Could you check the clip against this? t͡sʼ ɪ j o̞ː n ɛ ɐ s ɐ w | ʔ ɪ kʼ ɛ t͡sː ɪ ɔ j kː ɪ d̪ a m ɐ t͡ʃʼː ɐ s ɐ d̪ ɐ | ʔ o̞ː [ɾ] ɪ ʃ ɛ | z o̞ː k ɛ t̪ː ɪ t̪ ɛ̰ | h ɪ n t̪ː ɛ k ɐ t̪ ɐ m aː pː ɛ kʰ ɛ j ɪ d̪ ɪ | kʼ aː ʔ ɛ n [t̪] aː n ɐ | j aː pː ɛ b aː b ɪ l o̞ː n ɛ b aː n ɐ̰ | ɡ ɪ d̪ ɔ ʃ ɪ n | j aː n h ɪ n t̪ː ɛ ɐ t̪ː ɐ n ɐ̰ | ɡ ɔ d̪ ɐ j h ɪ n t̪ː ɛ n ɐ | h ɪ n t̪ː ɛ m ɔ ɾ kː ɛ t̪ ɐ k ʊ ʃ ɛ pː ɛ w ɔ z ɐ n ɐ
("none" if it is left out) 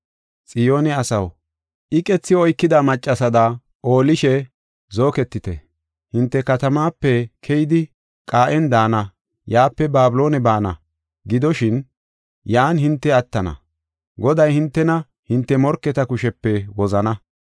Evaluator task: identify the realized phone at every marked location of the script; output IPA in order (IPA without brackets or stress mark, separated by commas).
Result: l, d̪